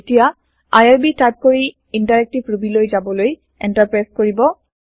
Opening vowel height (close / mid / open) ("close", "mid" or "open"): close